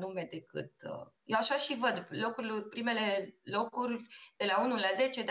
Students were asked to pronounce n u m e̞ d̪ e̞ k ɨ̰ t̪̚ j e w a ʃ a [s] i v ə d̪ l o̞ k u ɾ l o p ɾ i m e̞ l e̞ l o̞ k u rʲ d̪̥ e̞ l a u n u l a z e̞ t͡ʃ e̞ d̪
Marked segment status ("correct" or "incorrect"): incorrect